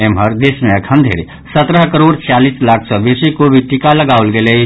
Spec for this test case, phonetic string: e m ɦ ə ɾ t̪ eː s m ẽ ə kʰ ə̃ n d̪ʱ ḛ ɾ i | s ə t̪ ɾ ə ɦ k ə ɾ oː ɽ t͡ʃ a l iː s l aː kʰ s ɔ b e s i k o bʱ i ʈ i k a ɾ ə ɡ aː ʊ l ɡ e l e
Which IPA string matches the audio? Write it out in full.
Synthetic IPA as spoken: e m ɦ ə ɾ d̪ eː s m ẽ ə kʰ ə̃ n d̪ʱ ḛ ɾ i | s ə t̪ ɾ ə ɦ k ə ɾ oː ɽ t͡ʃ a l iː s l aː kʰ s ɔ b e s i k o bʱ i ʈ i k a l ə ɡ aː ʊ l ɡ e l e